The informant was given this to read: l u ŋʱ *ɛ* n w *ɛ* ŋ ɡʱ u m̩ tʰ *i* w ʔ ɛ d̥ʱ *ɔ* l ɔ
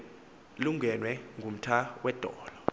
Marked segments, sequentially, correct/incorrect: correct, correct, incorrect, incorrect

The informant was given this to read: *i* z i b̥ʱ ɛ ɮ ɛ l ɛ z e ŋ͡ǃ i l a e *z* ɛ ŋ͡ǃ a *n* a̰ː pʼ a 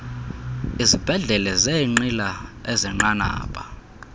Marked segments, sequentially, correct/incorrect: correct, correct, correct

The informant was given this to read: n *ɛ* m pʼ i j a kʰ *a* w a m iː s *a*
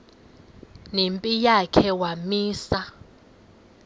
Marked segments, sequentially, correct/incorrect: incorrect, incorrect, correct

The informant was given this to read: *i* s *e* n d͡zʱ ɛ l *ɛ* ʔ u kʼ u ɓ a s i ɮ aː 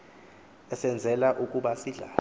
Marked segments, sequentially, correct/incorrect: incorrect, incorrect, incorrect

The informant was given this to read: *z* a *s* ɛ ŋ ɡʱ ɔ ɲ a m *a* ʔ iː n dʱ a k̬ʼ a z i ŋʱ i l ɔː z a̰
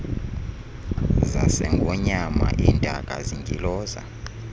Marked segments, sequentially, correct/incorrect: correct, correct, correct

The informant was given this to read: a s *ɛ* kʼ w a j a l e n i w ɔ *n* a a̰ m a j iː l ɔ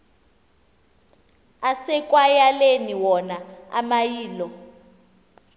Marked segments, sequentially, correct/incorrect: correct, correct

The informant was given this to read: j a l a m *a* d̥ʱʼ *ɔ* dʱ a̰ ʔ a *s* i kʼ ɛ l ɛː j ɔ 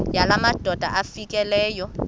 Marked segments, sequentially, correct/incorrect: correct, correct, incorrect

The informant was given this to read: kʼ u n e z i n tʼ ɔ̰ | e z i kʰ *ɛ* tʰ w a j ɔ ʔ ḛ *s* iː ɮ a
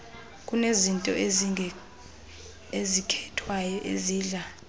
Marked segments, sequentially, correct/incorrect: correct, incorrect

